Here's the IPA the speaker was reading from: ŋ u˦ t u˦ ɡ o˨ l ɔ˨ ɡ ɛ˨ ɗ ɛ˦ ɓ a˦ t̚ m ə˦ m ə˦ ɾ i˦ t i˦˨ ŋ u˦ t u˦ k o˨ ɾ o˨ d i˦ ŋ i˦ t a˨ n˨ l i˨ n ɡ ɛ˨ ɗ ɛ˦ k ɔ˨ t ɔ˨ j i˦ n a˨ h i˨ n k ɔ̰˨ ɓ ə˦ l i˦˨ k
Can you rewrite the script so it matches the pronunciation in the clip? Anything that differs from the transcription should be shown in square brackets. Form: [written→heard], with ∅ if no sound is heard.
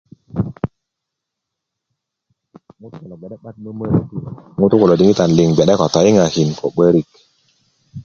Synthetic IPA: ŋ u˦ t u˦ [ɡ→k] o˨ l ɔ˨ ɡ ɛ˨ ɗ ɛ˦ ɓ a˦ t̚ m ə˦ m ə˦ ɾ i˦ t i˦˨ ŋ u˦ t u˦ k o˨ [ɾ→l] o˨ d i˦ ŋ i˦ t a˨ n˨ l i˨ [n→ŋ] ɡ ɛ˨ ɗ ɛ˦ k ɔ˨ t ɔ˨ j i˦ [n→ŋ] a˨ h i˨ n k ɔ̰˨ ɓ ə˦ [l→ɾ] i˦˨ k

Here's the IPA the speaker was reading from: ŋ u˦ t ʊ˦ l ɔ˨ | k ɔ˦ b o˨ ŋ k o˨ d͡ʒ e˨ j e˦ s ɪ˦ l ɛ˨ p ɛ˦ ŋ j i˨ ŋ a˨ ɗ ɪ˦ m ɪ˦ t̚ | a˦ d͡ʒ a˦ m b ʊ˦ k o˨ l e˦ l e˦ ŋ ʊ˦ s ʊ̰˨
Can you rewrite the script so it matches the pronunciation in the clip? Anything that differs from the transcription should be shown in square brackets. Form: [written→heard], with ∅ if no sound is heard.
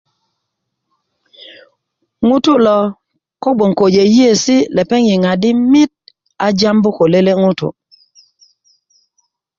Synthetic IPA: ŋ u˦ t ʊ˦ l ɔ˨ | k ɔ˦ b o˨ ŋ k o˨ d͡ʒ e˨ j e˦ s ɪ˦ l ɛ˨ p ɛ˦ ŋ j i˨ ŋ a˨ [ɗ→d] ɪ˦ m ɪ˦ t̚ | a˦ d͡ʒ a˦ m b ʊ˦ k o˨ l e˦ l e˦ ŋ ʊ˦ [s→t] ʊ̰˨

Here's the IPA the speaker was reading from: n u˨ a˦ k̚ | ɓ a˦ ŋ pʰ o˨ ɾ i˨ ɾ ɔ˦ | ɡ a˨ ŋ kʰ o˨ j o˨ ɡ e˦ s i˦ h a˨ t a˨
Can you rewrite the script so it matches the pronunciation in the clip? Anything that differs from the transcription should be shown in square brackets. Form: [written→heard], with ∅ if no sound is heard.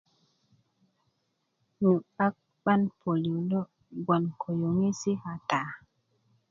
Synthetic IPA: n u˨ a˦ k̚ | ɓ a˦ [ŋ→n] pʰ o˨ [ɾ→l] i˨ [ɾ→l] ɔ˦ | ɡ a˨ [ŋ→n] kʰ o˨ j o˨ [ɡ→ŋ] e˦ s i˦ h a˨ t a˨

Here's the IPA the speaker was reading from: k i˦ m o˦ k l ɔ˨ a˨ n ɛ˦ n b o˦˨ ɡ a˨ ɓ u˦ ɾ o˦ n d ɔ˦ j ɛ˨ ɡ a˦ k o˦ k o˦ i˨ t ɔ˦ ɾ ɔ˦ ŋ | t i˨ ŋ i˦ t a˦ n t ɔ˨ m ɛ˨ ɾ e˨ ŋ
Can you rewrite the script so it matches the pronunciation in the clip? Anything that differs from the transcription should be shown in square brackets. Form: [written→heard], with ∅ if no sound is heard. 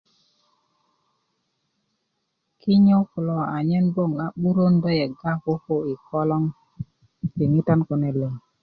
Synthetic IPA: k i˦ [m→ɲ] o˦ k l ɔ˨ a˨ [n→ɲ] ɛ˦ n b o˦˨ [ɡ→ŋ] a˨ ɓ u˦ ɾ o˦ n d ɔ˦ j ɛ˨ ɡ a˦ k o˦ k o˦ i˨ [t→k] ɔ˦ [ɾ→l] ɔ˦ ŋ | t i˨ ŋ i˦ t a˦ n [t→k] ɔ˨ [m→n] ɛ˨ [ɾ→l] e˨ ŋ

